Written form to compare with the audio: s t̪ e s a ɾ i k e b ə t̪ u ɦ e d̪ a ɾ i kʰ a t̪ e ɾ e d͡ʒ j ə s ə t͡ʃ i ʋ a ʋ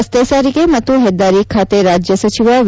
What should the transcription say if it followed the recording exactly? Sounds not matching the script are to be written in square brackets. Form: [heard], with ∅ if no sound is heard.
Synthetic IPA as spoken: s t̪ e s a ɾ i k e [m] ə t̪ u ɦ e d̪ a ɾ i kʰ a t̪ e ɾ [a] d͡ʒ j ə s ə t͡ʃ i ʋ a ʋ